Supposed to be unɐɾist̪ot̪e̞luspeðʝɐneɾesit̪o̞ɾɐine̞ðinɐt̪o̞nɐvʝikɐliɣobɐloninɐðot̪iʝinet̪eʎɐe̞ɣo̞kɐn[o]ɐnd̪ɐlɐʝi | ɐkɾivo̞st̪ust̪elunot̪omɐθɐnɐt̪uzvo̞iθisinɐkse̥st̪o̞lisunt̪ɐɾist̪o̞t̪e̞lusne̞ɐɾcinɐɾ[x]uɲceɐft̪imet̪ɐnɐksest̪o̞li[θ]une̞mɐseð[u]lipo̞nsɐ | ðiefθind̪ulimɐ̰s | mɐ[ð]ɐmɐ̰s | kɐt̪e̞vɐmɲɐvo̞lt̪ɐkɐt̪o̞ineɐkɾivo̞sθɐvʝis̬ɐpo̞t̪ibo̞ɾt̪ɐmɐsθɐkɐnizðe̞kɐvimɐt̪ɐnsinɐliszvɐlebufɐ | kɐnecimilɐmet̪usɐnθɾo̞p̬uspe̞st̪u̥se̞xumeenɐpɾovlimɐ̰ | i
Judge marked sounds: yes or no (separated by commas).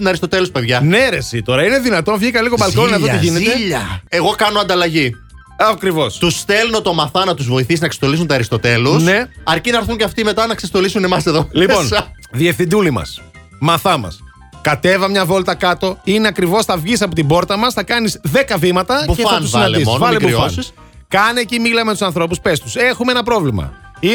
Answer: yes, no, no, no, no